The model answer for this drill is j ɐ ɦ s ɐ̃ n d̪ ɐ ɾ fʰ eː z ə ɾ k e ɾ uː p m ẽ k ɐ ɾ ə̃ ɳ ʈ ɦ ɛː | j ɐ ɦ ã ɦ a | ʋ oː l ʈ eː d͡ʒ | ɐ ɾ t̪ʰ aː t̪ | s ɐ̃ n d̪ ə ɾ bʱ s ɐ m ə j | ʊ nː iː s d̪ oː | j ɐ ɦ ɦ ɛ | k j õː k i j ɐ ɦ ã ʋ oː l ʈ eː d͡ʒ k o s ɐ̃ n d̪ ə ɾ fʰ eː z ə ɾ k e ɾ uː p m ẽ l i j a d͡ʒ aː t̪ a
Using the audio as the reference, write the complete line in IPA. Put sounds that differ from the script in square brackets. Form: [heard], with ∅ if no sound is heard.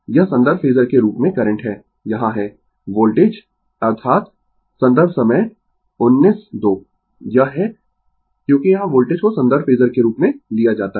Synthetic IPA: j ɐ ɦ s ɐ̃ n d̪ [ə] ɾ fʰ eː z ə ɾ k e ɾ uː p m ẽ k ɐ ɾ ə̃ ɳ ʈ ɦ ɛː | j ɐ ɦ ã ɦ [ɛ] | ʋ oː l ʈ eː d͡ʒ | ɐ ɾ t̪ʰ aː t̪ | s ɐ̃ n d̪ ə ɾ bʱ s ɐ m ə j | ʊ nː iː s d̪ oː | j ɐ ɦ ɦ ɛ | k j õː k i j ɐ ɦ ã ʋ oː l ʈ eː d͡ʒ k o s ɐ̃ n d̪ ə ɾ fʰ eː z ə ɾ k e ɾ uː p m ẽ l i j a d͡ʒ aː t̪ a